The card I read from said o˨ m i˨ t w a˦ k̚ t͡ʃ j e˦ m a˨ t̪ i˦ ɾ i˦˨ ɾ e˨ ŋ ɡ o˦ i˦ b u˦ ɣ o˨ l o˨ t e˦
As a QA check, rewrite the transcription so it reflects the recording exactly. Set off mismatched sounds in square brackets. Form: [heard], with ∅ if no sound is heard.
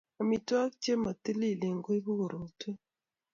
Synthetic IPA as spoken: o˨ m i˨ t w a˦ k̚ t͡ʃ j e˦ m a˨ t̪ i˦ [l] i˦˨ [l] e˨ ŋ ɡ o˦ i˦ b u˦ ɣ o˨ [ɾ] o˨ t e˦